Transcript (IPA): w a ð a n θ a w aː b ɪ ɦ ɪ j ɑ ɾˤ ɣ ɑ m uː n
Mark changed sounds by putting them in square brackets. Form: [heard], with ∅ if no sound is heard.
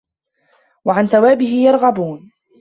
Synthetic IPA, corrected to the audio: w a [ʕ] a n θ a w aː b ɪ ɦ ɪ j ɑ ɾˤ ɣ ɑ [b] uː n

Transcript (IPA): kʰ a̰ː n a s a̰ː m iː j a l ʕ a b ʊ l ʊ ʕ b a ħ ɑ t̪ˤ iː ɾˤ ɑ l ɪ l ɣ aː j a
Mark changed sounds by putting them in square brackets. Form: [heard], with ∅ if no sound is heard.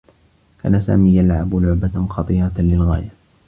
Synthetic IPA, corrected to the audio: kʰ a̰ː n a s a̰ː m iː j a l ʕ a b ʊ l ʊ ʕ b a [x] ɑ t̪ˤ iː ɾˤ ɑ l ɪ l ɣ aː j a

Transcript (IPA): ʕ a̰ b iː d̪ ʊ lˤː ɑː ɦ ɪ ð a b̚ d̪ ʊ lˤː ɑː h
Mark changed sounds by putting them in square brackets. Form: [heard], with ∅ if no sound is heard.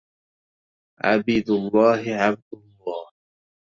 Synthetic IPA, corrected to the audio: ʕ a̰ b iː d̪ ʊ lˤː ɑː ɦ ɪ [ʕ] a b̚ d̪ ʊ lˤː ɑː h

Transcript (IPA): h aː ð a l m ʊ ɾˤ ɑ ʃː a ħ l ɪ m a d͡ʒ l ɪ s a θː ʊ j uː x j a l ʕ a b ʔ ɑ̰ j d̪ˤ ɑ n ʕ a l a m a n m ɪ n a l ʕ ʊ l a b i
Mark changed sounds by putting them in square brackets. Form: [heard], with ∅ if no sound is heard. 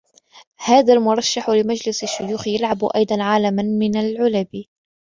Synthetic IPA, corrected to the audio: h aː ð a l m ʊ ɾˤ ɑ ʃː a ħ l ɪ m a d͡ʒ l ɪ s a [ʃː] ʊ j uː x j a l ʕ a b ʔ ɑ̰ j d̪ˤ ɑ n ʕ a l a m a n m ɪ n a l ʕ ʊ l a b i

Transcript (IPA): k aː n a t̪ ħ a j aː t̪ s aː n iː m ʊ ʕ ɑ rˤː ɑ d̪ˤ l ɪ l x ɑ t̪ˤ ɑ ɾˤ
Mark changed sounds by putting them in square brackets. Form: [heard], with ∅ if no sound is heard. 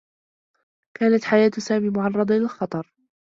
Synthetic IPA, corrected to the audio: k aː n a t̪ ħ a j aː t̪ s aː [m] iː m ʊ ʕ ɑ rˤː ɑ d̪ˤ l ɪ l x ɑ t̪ˤ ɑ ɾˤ

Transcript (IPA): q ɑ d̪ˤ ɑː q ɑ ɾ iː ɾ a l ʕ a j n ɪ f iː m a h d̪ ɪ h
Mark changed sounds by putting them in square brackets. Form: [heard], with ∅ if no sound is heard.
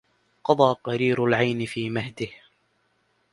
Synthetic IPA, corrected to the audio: q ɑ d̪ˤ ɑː q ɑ ɾ iː ɾ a l ʕ a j n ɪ f iː m a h d̪ ɪ h

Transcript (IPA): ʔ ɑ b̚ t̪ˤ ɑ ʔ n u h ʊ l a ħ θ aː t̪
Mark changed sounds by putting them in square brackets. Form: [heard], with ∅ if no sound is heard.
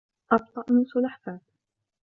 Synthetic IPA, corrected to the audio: ʔ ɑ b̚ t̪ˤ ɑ ʔ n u [s] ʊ l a ħ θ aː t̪

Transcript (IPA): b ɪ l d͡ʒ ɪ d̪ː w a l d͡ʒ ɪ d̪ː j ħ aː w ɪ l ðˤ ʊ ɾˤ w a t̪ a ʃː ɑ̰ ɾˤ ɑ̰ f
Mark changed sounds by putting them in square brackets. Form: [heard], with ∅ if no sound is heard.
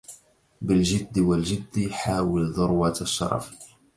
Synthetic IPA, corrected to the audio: b ɪ l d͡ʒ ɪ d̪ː w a l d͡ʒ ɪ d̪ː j ħ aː w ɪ l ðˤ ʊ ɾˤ w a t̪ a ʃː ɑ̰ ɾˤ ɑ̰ f

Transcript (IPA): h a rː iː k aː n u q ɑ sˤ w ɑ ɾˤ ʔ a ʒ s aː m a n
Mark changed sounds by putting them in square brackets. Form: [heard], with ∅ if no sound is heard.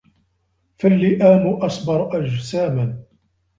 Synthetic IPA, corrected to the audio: [f] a [lː] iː [ʔ] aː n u [ʔ] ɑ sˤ [b] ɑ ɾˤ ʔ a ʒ s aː m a n

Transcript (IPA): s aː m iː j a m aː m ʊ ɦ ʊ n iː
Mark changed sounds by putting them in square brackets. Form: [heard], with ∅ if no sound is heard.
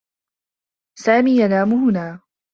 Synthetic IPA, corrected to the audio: s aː m iː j a [n] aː m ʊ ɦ ʊ n [aː]

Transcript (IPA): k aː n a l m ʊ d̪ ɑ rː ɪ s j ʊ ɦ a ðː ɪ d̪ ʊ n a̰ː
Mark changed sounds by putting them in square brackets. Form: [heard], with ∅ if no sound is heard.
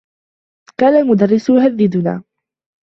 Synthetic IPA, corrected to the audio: k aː n a l m ʊ d̪ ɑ rː ɪ s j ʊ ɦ a ðː ɪ d̪ ʊ n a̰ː

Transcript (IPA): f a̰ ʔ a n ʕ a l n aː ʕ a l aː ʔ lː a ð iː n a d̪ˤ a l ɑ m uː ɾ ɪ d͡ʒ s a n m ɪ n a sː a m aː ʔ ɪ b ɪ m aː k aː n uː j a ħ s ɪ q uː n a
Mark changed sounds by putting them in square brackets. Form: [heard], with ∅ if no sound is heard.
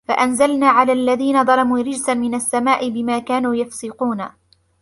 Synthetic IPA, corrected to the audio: f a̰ ʔ a n [z] a l n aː ʕ a l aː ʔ lː a ð iː n a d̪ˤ [ɑ] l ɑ m uː ɾ ɪ d͡ʒ s a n m ɪ n a sː a m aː ʔ ɪ b ɪ m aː k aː n uː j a [f] s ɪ q uː n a

